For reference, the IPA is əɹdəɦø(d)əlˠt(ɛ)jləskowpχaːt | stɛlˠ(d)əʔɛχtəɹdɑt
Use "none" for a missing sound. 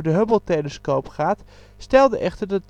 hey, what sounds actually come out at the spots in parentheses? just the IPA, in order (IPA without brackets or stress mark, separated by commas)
b, e, d